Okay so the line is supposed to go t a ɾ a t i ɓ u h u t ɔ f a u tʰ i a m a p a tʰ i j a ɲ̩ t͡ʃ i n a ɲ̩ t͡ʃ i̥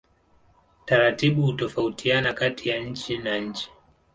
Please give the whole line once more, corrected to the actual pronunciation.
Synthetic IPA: t a ɾ a t i ɓ u h u t ɔ f a u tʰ i a n a k a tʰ i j a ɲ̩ t͡ʃ i n a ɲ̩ t͡ʃ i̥